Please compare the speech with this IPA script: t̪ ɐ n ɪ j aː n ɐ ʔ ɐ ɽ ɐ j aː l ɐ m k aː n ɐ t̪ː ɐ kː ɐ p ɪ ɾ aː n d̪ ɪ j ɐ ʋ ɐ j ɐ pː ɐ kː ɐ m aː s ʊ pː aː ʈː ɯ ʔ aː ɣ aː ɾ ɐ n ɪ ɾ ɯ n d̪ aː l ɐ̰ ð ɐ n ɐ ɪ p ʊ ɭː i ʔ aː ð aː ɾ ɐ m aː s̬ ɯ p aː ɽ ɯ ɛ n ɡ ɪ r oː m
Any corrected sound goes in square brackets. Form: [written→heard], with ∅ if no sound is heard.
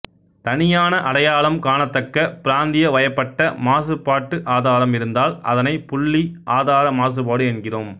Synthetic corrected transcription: t̪ ɐ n ɪ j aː n ɐ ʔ ɐ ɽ ɐ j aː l ɐ m k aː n ɐ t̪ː ɐ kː ɐ p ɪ ɾ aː n d̪ ɪ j ɐ ʋ ɐ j ɐ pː ɐ [kː→ʈː] ɐ m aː s [ʊ→ɯ] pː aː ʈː ɯ ʔ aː [ɣ→ð] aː ɾ ɐ [n→m] ɪ ɾ ɯ n d̪ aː l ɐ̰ ð ɐ n ɐ ɪ p ʊ ɭː i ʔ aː ð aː ɾ ɐ m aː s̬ ɯ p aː ɽ ɯ ɛ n ɡ ɪ r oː m

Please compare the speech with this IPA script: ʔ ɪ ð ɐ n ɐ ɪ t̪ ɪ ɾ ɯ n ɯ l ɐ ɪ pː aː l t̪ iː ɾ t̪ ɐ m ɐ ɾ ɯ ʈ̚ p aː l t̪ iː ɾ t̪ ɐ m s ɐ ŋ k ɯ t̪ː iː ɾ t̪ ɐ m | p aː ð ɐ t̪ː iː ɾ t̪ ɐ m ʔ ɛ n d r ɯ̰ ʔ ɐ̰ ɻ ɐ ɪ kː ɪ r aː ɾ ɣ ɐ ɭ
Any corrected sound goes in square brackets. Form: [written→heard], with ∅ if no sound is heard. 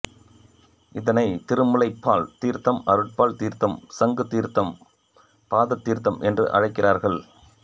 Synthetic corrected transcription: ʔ ɪ ð ɐ n ɐ ɪ t̪ ɪ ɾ ɯ [n→m] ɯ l ɐ ɪ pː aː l t̪ iː ɾ t̪ ɐ m ɐ ɾ ɯ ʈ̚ p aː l t̪ iː ɾ t̪ ɐ m s ɐ ŋ [k→ɡ] ɯ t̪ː iː ɾ t̪ ɐ m | p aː ð ɐ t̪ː iː ɾ t̪ ɐ m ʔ ɛ n d r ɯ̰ ʔ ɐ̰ ɻ ɐ ɪ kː ɪ r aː ɾ ɣ ɐ ɭ

